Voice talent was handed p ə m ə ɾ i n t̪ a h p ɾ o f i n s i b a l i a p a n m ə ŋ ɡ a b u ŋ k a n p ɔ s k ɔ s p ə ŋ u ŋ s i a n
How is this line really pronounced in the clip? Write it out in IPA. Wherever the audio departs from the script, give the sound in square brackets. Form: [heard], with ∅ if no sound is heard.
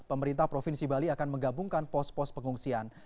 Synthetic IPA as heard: p ə m ə ɾ i n t̪ a h p ɾ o f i n s i b a l i a [k] a n m ə ŋ ɡ a b u ŋ k a n p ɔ s [p] ɔ s p ə ŋ u ŋ s i a n